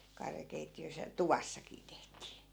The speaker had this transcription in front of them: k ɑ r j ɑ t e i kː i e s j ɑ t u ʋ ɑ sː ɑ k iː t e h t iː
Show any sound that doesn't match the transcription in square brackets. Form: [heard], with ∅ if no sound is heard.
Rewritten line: k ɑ r j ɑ [k] e i [tː] i [ø] s j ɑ t u ʋ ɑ sː ɑ k iː t e h t iː